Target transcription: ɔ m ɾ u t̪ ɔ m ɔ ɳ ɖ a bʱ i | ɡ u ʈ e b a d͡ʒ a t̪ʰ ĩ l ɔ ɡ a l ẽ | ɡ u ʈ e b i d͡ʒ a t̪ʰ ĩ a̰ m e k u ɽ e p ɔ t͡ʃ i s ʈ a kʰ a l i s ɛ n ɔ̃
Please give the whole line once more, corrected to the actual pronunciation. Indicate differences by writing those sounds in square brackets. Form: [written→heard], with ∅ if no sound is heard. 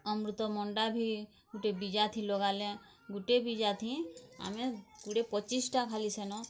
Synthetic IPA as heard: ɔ m ɾ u t̪ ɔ m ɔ ɳ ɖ a bʱ i | ɡ u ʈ e b [a→i] d͡ʒ a t̪ʰ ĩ l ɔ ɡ a l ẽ | ɡ u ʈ e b i d͡ʒ a t̪ʰ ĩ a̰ m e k u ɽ e p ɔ t͡ʃ i s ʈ a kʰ a l i s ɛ n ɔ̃

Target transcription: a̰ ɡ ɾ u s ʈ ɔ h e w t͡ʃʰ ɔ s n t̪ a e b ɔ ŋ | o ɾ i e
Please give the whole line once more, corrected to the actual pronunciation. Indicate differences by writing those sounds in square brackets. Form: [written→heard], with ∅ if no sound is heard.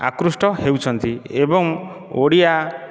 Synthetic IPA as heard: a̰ [ɡ→k] ɾ u s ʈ ɔ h e w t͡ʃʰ ɔ [s→∅] n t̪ [a→i] e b ɔ ŋ | o [ɾ→ɽ] i [e→a]

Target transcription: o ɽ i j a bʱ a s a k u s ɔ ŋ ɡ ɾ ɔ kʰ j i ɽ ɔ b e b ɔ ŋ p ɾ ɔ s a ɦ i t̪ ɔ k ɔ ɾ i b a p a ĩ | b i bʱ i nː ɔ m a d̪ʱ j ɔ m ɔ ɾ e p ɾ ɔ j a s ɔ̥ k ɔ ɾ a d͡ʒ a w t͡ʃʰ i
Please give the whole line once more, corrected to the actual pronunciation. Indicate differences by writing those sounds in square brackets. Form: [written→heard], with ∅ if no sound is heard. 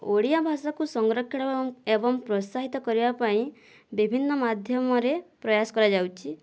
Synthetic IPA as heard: o ɽ i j a bʱ a s a k u s ɔ ŋ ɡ ɾ ɔ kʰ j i ɽ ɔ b e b ɔ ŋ p ɾ ɔ s a ɦ i t̪ ɔ k ɔ ɾ i b a p a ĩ | b i bʱ i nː ɔ m a d̪ʱ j ɔ m ɔ ɾ e p ɾ ɔ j a s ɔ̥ k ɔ ɾ a d͡ʒ a w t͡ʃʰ i

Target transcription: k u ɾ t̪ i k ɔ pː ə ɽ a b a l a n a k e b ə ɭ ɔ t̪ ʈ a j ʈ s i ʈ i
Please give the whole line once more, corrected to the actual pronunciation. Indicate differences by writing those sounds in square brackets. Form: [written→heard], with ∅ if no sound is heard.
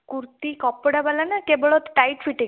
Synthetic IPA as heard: k u ɾ t̪ i k ɔ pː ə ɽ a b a l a n a k e b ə ɭ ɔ t̪ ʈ a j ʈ [s→f] i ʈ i

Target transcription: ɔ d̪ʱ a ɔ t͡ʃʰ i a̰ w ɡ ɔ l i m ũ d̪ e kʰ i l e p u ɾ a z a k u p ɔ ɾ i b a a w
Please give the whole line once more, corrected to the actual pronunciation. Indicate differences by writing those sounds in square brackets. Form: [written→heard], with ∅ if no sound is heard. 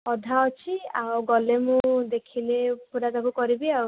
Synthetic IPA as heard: ɔ d̪ʱ a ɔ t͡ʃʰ i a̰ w ɡ ɔ l [i→e] m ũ d̪ e kʰ i l e p u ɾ a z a k u [p→k] ɔ ɾ i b [a→i] a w

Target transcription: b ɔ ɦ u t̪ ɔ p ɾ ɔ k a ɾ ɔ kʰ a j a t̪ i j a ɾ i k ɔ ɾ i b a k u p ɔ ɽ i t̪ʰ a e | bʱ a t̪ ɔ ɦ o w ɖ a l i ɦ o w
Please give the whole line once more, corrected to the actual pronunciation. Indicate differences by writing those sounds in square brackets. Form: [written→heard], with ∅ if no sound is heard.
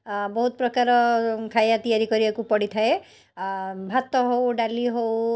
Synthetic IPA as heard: b ɔ ɦ u t̪ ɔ p ɾ ɔ k a ɾ ɔ kʰ a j a t̪ i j a ɾ i k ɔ ɾ i b a k u p ɔ ɽ i t̪ʰ a e | bʱ a t̪ ɔ ɦ o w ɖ a l i ɦ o w

